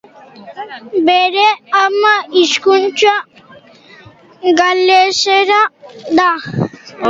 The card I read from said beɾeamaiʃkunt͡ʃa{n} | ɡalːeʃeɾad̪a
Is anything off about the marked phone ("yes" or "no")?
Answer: yes